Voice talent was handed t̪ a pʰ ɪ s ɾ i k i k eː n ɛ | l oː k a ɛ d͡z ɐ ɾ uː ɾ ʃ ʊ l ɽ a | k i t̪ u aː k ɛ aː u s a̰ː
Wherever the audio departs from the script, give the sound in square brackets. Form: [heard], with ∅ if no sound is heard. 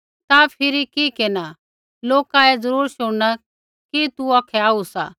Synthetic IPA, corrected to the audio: t̪ a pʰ ɪ [∅] ɾ i k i k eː n [a] | l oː k a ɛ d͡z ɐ ɾ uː ɾ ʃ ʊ [ɽ] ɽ a | k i t̪ u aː [kʰ] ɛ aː u s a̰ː